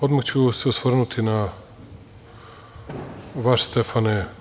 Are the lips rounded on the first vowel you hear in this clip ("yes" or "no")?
yes